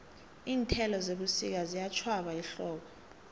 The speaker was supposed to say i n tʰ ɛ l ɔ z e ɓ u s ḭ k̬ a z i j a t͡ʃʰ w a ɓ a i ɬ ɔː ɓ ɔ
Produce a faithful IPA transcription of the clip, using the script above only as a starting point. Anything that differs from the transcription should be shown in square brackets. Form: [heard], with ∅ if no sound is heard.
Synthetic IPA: [iː] n tʰ ɛ l ɔ z e ɓ u s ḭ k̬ a z i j a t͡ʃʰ w a ɓ a i ɬ ɔː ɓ ɔ